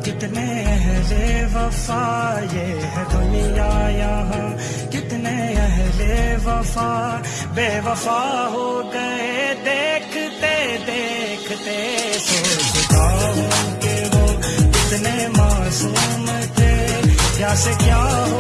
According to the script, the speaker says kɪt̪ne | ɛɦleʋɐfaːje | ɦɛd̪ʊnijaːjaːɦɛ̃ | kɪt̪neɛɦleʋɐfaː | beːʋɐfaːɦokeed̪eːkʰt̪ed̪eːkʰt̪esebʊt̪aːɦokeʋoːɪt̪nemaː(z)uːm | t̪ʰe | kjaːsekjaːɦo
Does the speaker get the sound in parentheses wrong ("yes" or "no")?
yes